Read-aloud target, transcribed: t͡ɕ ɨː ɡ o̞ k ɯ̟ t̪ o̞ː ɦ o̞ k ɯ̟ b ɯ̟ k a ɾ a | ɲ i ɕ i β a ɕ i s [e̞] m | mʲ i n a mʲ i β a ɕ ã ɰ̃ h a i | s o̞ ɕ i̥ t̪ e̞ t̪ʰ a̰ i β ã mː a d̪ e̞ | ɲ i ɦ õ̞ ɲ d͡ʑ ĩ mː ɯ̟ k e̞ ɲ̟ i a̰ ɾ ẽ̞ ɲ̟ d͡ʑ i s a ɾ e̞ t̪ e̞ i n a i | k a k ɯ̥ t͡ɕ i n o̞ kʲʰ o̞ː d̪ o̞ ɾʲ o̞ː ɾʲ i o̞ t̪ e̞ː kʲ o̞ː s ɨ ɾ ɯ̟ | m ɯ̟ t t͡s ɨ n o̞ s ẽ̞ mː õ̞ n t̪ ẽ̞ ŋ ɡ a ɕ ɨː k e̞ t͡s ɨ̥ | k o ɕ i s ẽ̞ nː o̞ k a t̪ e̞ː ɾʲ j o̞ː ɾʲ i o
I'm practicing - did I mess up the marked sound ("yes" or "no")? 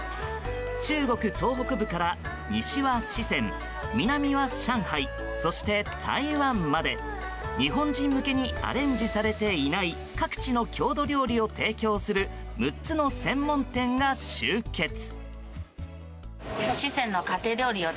yes